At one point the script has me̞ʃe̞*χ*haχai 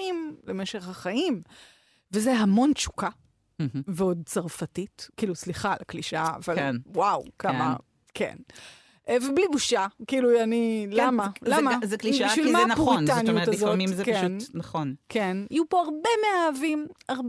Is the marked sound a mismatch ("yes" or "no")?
no